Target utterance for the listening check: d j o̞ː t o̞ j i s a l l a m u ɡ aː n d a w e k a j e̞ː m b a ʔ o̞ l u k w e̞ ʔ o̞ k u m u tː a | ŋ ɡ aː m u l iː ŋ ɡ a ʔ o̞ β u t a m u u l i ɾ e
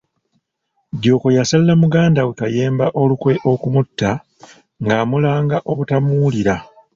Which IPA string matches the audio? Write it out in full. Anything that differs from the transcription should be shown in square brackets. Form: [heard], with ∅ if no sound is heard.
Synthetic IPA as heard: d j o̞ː [k] o̞ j [a] s a l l a m u ɡ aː n d a w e k a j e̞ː m b a ʔ o̞ l u k w e̞ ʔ o̞ k u m u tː a | ŋ ɡ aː m u l [aː] ŋ ɡ a ʔ o̞ β u t a m u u l i ɾ [a]